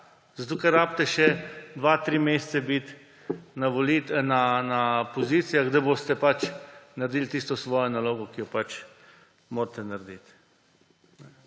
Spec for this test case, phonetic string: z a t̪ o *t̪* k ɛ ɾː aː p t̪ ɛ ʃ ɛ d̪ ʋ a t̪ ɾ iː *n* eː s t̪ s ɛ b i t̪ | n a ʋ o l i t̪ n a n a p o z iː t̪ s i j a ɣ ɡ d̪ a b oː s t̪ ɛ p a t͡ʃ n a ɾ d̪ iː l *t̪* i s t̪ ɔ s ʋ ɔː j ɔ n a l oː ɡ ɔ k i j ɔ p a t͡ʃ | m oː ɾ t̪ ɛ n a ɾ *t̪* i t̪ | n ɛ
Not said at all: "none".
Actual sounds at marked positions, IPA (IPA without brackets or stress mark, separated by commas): none, m, t̪, d̪